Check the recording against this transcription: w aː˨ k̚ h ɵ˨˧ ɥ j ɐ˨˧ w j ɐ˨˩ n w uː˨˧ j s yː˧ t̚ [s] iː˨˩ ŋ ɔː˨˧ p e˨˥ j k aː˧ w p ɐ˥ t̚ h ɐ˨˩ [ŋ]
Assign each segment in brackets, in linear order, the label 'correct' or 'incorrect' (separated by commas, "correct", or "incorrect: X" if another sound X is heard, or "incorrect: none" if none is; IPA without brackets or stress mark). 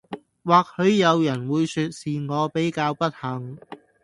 correct, correct